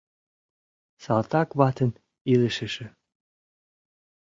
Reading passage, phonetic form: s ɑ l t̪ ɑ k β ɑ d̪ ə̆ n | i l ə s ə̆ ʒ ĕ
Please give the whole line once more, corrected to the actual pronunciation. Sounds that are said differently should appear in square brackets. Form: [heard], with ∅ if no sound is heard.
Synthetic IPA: s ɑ l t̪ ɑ k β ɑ [t̪] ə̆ n | i l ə [ʃ] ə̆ [ʃ] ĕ